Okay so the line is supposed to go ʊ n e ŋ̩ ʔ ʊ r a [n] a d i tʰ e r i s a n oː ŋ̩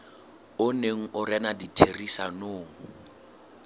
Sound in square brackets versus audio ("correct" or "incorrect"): correct